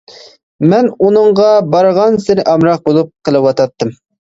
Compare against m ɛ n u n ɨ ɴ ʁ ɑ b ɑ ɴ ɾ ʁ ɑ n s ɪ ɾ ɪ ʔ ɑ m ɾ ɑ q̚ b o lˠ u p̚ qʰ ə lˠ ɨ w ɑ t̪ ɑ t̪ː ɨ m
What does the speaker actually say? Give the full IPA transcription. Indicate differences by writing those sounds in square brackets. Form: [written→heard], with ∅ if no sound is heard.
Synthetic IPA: m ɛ n u n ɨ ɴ ʁ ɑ b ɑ [ɴ→∅] ɾ ʁ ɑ n s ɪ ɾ ɪ ʔ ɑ m ɾ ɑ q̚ b o lˠ u p̚ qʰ ə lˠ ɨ w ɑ t̪ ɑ t̪ː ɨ m